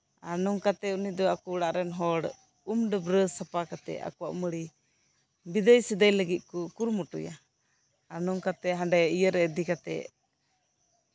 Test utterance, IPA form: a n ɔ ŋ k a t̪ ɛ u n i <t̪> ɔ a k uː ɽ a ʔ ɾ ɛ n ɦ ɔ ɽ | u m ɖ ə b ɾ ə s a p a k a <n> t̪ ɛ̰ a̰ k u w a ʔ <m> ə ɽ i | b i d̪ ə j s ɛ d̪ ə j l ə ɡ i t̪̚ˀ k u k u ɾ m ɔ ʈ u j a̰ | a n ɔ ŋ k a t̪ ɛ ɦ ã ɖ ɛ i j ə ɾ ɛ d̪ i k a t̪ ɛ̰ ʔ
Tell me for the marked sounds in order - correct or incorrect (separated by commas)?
incorrect, incorrect, correct